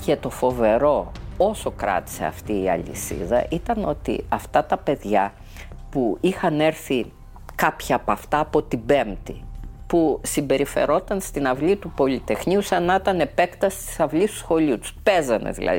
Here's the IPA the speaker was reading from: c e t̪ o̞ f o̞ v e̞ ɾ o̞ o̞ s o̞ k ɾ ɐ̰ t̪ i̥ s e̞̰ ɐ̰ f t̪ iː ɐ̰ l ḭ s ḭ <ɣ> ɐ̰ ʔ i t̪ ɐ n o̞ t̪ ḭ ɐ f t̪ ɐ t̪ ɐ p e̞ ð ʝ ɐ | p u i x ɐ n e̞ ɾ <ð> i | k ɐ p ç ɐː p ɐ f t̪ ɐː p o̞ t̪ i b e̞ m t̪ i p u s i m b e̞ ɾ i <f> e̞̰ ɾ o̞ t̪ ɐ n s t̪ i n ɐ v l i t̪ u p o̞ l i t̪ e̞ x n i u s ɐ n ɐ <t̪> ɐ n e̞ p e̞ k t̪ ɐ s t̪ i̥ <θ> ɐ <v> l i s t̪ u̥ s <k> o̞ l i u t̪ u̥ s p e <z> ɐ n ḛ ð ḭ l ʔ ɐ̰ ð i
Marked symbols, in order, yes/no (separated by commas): no, no, yes, yes, no, yes, no, yes